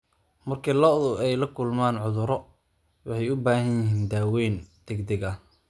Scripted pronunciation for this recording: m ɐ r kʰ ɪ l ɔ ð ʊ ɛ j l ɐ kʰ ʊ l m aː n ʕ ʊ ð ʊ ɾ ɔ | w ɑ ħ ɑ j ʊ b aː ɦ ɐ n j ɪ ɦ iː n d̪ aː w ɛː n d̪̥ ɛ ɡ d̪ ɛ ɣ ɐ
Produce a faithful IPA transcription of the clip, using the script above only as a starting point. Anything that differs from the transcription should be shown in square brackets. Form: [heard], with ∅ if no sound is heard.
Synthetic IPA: m ɐ r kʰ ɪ l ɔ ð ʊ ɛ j l ɐ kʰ ʊ l m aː n ʕ ʊ ð ʊ ɾ ɔ | w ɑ ħ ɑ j ʊ b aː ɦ ɐ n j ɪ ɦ iː n d̪ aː w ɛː n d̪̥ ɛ ɡ d̪ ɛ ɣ ɐ